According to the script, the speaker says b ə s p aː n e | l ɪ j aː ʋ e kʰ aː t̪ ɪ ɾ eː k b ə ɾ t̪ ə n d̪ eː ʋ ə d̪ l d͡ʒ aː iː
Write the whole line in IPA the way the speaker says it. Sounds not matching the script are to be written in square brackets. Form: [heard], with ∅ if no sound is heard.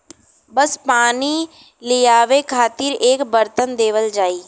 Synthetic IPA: b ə s p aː n [i] | l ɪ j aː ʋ e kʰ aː t̪ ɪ ɾ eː k b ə ɾ t̪ ə n d̪ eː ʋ ə [∅] l d͡ʒ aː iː